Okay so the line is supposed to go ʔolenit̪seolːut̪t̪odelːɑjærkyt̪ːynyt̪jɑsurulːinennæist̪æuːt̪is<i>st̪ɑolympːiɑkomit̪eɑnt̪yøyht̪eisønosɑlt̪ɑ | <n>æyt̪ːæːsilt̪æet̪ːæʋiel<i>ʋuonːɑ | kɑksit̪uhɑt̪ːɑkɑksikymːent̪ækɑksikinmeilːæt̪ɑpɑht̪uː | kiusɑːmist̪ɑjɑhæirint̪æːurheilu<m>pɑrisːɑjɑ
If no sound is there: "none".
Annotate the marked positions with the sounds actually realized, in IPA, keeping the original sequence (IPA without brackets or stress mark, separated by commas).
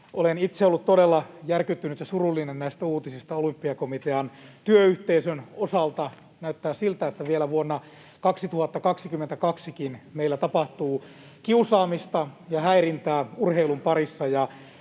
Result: i, n, æ, m